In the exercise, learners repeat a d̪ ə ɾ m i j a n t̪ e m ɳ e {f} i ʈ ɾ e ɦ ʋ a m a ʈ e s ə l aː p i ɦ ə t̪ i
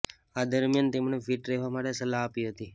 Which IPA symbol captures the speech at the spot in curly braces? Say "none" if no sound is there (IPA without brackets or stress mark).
f